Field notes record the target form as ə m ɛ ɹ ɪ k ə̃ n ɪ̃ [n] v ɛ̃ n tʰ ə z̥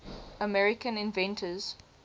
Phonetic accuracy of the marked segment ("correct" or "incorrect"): correct